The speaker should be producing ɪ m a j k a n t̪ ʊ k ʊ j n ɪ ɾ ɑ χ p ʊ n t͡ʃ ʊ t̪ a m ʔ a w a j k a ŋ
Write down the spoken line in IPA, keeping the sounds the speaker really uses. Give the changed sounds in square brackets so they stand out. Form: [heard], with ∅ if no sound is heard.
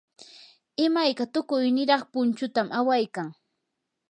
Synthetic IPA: ɪ m a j k a [∅] t̪ ʊ k ʊ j n ɪ ɾ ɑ χ p ʊ n t͡ʃ ʊ t̪ a m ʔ a w a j k a ŋ